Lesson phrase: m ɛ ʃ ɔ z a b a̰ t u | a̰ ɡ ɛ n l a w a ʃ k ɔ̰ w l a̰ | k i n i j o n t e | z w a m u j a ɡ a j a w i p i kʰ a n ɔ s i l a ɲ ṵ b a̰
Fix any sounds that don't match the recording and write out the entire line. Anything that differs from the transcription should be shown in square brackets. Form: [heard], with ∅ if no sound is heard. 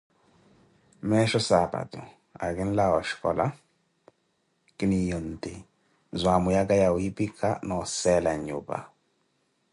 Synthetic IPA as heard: m ɛ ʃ ɔ [s] a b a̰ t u | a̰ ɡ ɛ n l a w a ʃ k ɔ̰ [∅] l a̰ | k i n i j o n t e | z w a m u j a ɡ a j a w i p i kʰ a n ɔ s [ɛ] l a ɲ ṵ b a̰